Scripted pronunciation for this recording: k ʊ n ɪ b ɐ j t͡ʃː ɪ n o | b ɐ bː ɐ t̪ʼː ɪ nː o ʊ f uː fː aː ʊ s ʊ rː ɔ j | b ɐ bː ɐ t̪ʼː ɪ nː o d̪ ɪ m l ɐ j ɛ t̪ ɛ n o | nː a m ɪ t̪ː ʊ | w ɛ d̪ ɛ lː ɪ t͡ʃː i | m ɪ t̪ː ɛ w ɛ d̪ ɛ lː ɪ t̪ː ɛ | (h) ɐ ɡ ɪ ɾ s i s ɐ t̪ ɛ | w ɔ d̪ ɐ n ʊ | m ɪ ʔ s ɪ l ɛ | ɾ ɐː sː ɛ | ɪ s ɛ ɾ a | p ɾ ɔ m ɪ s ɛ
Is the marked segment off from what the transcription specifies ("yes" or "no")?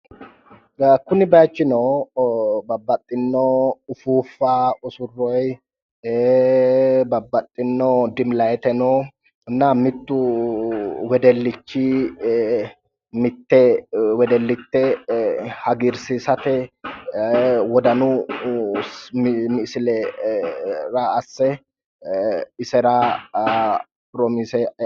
no